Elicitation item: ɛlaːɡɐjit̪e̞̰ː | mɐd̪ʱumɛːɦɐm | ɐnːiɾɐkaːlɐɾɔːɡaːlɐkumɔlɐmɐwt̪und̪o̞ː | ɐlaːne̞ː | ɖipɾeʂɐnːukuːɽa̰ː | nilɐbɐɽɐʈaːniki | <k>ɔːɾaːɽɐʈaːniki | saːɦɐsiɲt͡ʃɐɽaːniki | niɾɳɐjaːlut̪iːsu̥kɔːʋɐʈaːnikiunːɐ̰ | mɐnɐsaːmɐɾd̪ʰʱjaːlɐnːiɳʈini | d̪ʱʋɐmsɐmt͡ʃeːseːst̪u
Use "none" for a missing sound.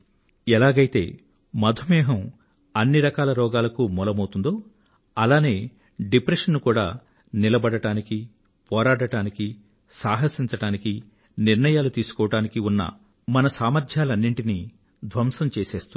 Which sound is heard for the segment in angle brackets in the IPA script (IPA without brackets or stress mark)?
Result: p